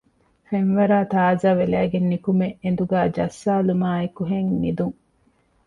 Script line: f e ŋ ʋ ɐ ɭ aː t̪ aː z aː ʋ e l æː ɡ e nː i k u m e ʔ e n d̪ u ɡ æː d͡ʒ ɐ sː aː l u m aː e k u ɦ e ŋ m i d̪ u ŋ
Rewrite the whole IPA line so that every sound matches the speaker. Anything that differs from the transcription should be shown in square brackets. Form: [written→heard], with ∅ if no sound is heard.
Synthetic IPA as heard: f e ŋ ʋ ɐ [ɭ→ɾ] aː t̪ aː z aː ʋ e l æː ɡ e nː i k u m e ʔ e n d̪ u ɡ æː d͡ʒ ɐ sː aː l u m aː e k u ɦ e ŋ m i d̪ u ŋ